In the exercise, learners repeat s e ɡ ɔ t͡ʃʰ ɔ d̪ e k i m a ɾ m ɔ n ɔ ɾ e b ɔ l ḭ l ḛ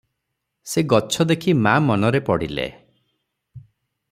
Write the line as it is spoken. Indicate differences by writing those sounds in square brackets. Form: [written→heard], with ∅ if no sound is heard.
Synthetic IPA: s e ɡ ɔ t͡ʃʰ ɔ d̪ e [k→kʰ] i m a [ɾ→∅] m ɔ n ɔ ɾ e [b→p] ɔ [l→ɽ] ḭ l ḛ